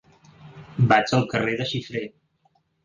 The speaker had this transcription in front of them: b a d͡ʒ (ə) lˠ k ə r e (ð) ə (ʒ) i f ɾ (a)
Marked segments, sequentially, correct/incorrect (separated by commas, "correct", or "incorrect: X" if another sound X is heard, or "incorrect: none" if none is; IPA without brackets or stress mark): correct, correct, incorrect: ʃ, incorrect: e